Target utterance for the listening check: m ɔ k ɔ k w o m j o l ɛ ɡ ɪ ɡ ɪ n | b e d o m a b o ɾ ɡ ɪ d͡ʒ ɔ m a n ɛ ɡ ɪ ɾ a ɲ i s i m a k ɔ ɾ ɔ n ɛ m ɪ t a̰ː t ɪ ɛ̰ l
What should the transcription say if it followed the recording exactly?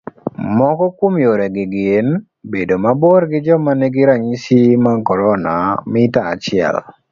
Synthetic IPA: m ɔ k ɔ k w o m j o ɾ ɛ ɡ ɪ ɡ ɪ n | b e d o m a b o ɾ ɡ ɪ d͡ʒ ɔ m a n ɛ ɡ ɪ ɾ a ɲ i s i m a k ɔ ɾ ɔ n a m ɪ t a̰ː t͡ʃ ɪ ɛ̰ l